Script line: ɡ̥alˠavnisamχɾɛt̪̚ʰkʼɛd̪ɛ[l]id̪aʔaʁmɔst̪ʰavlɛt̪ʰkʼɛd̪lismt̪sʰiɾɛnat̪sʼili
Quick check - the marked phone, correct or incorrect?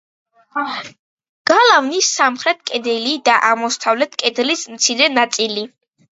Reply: correct